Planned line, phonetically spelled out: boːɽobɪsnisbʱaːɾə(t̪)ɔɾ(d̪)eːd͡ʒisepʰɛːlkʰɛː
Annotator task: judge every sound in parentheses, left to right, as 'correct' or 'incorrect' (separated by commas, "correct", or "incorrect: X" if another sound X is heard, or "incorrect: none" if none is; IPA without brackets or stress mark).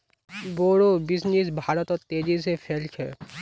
correct, incorrect: t̪